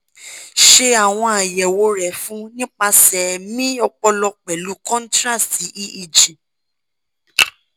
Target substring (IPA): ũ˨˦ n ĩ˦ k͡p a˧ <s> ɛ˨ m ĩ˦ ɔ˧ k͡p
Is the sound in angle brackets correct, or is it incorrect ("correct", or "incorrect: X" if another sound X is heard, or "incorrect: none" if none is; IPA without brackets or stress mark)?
correct